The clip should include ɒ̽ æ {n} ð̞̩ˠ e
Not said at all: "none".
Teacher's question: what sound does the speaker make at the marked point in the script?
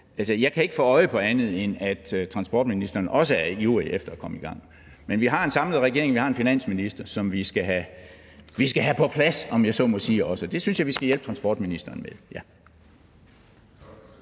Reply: n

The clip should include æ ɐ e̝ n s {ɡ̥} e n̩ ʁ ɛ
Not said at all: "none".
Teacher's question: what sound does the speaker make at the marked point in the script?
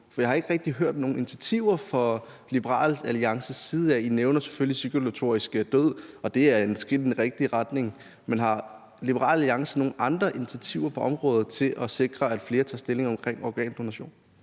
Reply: ɡ̥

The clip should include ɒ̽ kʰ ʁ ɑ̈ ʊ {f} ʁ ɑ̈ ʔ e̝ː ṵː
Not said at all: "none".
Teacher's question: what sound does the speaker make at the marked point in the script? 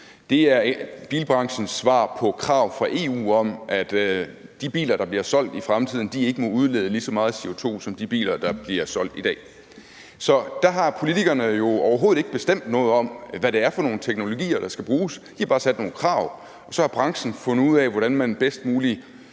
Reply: f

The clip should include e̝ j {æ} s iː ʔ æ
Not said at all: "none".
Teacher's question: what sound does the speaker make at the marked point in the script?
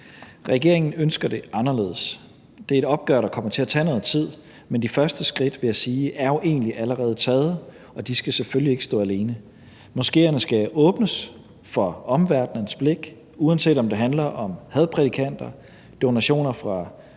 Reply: æ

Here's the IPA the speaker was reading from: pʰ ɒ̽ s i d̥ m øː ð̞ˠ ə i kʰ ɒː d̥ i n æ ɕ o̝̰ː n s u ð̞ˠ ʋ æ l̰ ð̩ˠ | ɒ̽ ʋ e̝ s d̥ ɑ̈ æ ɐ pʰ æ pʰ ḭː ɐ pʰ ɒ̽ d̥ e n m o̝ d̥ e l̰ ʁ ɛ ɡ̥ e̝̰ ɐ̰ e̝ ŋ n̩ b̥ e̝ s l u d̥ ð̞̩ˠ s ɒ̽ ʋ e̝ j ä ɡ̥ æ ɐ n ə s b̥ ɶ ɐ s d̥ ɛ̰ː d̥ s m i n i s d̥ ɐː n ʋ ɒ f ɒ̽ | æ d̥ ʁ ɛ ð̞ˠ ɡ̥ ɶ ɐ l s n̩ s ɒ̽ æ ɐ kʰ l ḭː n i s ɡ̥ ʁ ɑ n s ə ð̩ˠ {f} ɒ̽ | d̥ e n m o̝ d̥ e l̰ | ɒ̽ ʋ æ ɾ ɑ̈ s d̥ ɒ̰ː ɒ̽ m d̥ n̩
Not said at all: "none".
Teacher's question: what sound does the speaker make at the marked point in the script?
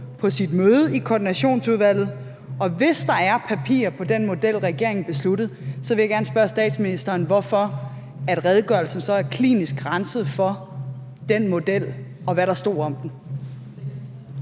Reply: f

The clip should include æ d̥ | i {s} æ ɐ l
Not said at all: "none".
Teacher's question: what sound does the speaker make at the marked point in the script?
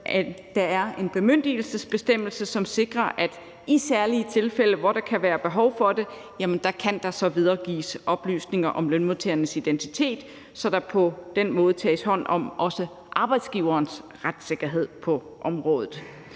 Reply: s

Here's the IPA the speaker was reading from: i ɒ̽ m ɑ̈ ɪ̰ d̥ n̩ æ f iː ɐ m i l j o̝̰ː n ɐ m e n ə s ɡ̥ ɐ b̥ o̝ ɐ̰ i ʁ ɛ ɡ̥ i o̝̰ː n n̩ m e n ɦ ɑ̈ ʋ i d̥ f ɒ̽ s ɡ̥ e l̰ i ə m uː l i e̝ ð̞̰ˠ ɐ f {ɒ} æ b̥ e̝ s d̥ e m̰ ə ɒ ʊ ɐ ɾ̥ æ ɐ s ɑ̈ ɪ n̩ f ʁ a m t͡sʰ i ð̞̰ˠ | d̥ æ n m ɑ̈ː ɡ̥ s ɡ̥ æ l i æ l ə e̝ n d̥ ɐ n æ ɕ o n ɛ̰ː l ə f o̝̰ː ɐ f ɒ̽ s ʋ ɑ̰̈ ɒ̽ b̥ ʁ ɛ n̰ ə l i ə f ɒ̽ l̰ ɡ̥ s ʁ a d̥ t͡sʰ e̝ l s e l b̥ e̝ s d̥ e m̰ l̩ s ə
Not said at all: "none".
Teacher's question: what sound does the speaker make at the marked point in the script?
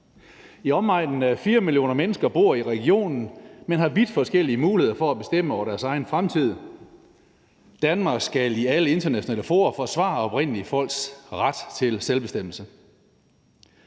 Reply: ɒ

